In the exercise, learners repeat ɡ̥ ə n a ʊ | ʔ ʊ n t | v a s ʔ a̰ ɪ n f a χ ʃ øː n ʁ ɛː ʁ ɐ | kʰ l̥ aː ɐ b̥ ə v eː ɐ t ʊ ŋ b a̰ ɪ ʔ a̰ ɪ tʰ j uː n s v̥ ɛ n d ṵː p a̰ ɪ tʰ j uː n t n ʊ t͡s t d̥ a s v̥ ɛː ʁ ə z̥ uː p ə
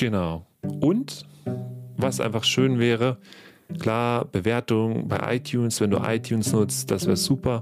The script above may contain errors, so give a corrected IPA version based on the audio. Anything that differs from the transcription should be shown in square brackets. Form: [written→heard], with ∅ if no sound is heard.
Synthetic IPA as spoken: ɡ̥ ə n a ʊ | ʔ ʊ n t | v a s ʔ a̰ ɪ n f a χ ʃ øː n [ʁ→v] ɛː ʁ [ɐ→ə] | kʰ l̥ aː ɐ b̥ ə v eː ɐ t ʊ ŋ b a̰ ɪ ʔ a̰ ɪ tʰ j uː n s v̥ ɛ n d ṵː [p→ʔ] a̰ ɪ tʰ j uː n [t→s] n ʊ t͡s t d̥ a s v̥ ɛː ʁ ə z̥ uː p [ə→ɐ]